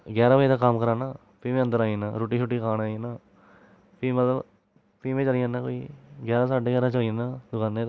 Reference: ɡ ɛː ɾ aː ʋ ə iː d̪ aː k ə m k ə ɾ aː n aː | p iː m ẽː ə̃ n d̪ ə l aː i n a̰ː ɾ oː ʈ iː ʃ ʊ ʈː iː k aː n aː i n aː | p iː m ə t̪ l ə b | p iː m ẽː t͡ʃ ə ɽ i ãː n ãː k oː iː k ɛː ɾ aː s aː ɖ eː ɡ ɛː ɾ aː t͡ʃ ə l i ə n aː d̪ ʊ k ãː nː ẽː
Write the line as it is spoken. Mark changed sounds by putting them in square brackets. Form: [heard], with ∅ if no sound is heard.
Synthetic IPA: ɡ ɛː ɾ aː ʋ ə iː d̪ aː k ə m k ə ɾ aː n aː | p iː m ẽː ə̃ n d̪ ə [ɾ] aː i n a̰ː ɾ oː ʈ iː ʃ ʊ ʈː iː k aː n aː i n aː | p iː m ə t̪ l ə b | p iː m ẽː t͡ʃ ə [l] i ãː n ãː k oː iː [ɡ] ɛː ɾ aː s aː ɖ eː ɡ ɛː ɾ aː t͡ʃ ə l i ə n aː d̪ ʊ k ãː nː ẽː

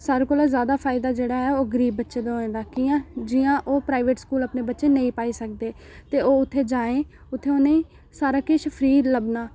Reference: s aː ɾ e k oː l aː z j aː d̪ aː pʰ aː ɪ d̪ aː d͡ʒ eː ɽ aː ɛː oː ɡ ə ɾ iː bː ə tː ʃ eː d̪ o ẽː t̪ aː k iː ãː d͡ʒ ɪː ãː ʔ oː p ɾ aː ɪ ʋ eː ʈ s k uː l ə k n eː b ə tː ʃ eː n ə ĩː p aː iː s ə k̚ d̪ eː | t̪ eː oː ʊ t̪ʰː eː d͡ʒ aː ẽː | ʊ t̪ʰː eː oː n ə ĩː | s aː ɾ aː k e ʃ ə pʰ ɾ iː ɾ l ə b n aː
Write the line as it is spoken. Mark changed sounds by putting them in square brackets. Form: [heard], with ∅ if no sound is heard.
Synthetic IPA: s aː ɾ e k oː l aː z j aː d̪ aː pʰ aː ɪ d̪ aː d͡ʒ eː ɽ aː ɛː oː ɡ ə ɾ iː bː ə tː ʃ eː d̪ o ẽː [d̪] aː k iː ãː d͡ʒ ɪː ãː ʔ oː p ɾ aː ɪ ʋ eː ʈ s k uː l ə [p] n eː b ə tː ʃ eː n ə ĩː p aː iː s ə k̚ d̪ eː | t̪ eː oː ʊ t̪ʰː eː d͡ʒ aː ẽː | ʊ t̪ʰː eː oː n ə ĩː | s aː ɾ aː k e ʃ ə pʰ ɾ iː ɾ l ə b n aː

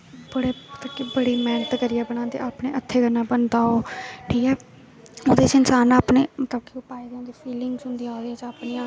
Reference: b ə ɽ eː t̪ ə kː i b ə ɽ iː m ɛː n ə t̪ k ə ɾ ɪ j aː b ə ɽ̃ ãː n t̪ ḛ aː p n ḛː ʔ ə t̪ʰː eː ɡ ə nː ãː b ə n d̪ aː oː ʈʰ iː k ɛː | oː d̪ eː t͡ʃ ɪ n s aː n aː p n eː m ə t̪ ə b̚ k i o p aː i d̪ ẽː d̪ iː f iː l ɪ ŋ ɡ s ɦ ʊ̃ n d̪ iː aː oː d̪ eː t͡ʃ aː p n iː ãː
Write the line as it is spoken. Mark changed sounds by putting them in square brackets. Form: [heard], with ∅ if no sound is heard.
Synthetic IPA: b ə ɽ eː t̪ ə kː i b ə ɽ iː m ɛː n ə t̪ k ə ɾ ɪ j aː b ə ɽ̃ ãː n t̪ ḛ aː p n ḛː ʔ ə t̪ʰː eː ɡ ə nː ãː b ə n d̪ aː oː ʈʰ iː k ɛː | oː d̪ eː t͡ʃ ɪ n s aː n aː p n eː m ə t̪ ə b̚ k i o p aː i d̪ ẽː d̪ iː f iː l ɪ ŋ ɡ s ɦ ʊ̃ n d̪ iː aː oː d̪ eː t͡ʃ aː p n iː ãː

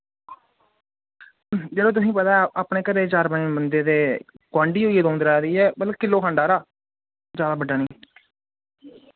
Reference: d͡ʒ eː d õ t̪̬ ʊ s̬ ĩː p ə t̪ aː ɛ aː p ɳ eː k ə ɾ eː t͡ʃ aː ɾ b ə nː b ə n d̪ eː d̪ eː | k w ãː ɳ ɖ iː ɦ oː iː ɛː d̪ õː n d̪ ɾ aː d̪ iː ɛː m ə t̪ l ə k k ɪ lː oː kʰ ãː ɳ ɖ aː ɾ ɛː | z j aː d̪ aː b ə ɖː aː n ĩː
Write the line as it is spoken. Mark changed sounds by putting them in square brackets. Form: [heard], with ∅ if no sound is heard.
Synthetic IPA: d͡ʒ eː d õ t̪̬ ʊ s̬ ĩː p ə t̪ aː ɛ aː p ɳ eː k ə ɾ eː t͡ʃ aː ɾ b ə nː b ə n d̪ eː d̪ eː | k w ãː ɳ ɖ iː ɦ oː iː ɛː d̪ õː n d̪ ɾ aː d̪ iː ɛː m ə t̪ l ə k k ɪ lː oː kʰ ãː ɳ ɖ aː ɾ [aː] | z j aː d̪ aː b ə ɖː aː n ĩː

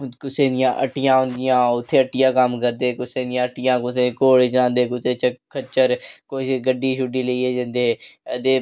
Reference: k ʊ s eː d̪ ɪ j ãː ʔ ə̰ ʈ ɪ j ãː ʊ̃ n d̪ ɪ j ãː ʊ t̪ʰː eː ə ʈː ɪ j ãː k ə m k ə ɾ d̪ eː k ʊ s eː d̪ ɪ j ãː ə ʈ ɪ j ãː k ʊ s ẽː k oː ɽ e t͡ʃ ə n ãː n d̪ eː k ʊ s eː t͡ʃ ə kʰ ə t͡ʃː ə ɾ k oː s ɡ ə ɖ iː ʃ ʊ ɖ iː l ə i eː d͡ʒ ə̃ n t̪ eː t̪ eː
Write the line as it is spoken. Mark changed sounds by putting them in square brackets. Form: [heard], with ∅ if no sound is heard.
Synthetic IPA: k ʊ s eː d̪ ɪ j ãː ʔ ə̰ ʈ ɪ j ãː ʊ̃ n d̪ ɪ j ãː ʊ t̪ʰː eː ə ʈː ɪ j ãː k ə m k ə ɾ d̪ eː k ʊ s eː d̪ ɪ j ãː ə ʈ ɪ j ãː k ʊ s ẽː k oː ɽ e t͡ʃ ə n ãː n d̪ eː k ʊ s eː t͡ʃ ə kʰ ə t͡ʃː ə ɾ k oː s ɡ ə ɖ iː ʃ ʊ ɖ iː l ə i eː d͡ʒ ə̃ n [d̪] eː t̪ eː

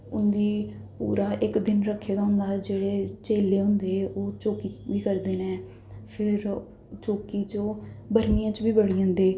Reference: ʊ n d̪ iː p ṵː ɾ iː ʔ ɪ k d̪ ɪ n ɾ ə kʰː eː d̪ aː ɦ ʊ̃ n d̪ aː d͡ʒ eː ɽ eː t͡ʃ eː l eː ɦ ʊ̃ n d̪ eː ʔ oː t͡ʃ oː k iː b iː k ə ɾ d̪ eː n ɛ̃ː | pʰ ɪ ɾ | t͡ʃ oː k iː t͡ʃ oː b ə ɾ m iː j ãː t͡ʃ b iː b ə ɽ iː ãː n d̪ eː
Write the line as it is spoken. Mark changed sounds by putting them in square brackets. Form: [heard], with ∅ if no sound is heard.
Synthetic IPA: ʊ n d̪ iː p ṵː ɾ [aː] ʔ ɪ k d̪ ɪ n ɾ ə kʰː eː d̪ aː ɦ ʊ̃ n d̪ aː d͡ʒ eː ɽ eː t͡ʃ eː l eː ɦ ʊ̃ n d̪ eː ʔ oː t͡ʃ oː k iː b iː k ə ɾ d̪ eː n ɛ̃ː | pʰ ɪ ɾ | t͡ʃ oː k iː t͡ʃ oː b ə ɾ m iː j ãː t͡ʃ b iː b ə ɽ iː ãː n d̪ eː

